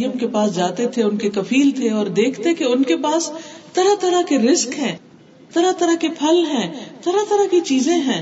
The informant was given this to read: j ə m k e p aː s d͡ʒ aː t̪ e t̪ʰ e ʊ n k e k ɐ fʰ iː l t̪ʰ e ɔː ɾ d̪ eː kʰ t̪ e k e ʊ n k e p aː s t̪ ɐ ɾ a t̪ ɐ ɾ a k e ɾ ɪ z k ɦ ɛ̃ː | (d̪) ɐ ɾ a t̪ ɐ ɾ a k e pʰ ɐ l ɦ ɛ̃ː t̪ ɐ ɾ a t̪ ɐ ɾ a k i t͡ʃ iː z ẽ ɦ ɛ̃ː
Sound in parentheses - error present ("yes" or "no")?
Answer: yes